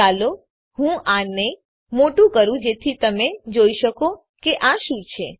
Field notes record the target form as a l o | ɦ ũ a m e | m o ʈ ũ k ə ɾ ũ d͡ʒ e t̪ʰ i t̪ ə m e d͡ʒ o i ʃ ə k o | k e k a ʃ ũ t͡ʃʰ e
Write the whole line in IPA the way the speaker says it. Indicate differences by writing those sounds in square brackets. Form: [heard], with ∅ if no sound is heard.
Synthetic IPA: a l o | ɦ ũ a [n] e | m o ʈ ũ k ə ɾ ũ d͡ʒ e t̪ʰ i t̪ ə m e d͡ʒ o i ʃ ə k o | k e [ʔ] a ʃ ũ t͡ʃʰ e

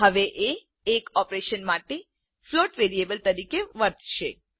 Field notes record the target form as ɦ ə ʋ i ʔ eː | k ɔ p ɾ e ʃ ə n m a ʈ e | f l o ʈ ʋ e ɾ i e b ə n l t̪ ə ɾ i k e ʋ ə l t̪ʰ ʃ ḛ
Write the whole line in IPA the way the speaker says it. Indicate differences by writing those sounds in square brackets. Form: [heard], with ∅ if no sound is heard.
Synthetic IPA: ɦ ə ʋ [e] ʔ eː | k ɔ p ɾ e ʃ ə n m a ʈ e | f l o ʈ ʋ e ɾ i e b ə [∅] l t̪ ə ɾ i k e ʋ ə [ɾ] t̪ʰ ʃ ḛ

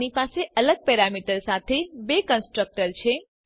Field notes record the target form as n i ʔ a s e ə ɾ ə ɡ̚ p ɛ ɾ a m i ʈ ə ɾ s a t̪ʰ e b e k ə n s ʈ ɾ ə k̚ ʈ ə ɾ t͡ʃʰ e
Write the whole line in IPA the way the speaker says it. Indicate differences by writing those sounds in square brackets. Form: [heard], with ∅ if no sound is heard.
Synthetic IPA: n i [p] a s e ə [l] ə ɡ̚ p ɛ ɾ a m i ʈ ə ɾ s a t̪ʰ e b e k ə n s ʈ ɾ ə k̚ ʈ ə ɾ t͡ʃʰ e

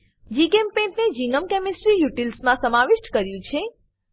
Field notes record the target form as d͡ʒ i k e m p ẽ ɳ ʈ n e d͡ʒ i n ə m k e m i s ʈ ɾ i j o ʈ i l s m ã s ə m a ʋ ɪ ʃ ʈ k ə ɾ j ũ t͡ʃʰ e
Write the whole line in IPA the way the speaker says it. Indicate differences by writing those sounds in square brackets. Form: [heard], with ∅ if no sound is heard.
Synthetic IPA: d͡ʒ i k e m p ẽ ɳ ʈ n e d͡ʒ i n ə m k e m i s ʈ ɾ i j [u] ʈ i l s m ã s ə m a ʋ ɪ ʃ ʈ k ə ɾ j ũ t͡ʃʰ e

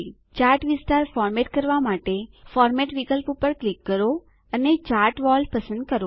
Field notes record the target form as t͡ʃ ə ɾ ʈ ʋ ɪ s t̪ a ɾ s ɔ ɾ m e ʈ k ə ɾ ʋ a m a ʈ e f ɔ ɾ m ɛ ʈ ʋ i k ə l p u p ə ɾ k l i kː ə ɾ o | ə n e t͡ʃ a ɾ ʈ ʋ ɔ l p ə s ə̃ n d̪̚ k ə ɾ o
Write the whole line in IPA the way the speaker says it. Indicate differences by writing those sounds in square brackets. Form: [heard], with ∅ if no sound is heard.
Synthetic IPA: t͡ʃ [a] ɾ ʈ ʋ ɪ s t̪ a ɾ [f] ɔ ɾ m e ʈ k ə ɾ ʋ a m a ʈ e f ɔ ɾ m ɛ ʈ ʋ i k ə l p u p ə ɾ k l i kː ə ɾ o | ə n e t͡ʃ a ɾ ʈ ʋ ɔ l p ə s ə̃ n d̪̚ k ə ɾ o

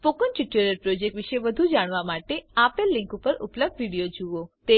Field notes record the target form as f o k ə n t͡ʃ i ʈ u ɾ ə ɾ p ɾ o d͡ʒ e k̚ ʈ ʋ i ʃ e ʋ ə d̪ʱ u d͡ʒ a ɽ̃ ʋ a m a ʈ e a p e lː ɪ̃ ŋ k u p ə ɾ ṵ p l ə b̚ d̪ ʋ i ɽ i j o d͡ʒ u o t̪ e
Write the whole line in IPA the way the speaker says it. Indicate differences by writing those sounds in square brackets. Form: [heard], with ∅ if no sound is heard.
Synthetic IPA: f o k ə n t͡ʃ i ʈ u ɾ ə ɾ p ɾ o d͡ʒ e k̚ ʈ ʋ i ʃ e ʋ ə d̪ʱ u d͡ʒ a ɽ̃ ʋ a m a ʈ e a p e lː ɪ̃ ŋ k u p ə ɾ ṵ p l ə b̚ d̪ ʋ i ɽ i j o d͡ʒ u o t̪ e

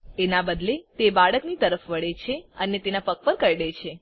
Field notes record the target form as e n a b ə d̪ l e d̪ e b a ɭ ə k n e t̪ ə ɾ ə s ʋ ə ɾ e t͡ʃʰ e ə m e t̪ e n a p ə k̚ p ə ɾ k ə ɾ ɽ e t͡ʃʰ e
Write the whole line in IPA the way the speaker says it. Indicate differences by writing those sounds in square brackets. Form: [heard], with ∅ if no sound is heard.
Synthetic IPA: e n a b ə d̪ l e [t̪] e b a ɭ ə k n [i] t̪ ə ɾ ə [f] ʋ ə [ɭ] e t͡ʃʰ e ə [n] e t̪ e n a p ə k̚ p ə ɾ k ə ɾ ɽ e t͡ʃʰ e

